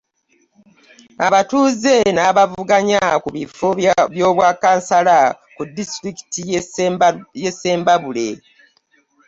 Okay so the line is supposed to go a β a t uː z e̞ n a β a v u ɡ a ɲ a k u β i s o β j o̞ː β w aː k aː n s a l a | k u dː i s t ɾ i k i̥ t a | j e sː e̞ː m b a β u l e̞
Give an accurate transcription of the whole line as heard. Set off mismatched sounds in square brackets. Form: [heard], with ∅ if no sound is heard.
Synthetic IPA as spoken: a β a t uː z e̞ n a β a v u ɡ a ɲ a k u β i [f] o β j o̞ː β w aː k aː n s a l a | k u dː i s t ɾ i k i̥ t [i] | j e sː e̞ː m b a β u l e̞